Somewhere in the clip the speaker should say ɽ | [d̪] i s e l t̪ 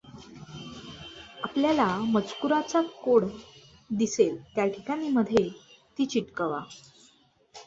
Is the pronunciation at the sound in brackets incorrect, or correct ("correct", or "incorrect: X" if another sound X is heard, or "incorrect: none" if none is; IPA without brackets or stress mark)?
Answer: correct